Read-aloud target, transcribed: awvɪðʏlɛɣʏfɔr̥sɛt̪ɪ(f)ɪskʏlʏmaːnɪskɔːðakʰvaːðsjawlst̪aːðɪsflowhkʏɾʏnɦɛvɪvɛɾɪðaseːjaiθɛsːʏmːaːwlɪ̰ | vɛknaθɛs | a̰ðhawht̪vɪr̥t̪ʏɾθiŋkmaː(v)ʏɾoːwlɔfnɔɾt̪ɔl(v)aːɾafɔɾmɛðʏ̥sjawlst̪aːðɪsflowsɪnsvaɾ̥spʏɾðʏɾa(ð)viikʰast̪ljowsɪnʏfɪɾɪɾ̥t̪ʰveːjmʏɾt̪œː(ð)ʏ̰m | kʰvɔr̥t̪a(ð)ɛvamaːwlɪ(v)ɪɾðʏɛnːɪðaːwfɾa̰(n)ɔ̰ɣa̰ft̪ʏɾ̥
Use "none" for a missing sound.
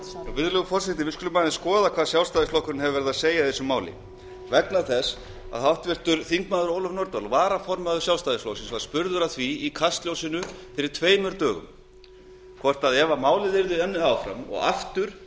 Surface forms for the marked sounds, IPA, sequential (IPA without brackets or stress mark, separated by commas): v, ð, v, θ, ɣ, ð, ð, m